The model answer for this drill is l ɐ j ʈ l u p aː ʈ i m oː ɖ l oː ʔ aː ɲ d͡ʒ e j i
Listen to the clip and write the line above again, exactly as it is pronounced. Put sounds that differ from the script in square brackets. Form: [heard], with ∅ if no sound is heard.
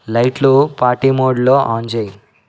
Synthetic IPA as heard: l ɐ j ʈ l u p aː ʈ i m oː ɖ l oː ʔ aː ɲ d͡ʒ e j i